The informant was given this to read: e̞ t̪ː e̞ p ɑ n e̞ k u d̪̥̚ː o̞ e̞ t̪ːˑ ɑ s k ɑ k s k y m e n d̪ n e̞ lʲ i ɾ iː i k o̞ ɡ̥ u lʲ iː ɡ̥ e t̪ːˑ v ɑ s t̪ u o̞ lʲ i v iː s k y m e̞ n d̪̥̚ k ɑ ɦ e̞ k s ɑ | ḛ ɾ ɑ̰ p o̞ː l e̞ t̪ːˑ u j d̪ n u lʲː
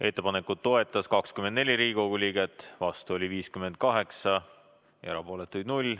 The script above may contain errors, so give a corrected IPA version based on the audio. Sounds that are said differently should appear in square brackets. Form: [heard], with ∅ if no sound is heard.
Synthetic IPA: e̞ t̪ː e̞ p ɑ n e̞ k u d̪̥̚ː o̞ e̞ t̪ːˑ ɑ s k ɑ k s k y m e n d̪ n e̞ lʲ i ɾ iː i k o̞ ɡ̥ u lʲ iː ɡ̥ e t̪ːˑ v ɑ s t̪ u o̞ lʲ i v iː s k y m e̞ n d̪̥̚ k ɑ ɦ e̞ k s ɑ | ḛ ɾ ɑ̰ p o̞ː l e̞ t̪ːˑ u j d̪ n u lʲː